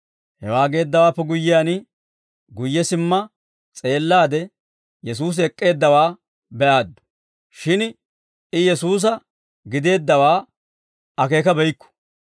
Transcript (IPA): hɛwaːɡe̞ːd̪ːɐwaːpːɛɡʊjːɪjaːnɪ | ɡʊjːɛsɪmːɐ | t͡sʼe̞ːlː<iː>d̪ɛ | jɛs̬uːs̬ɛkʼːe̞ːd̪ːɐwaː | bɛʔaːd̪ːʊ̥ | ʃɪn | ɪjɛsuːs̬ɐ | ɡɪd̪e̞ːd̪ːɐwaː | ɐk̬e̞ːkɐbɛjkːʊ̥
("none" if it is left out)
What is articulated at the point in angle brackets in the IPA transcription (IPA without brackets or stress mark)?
aː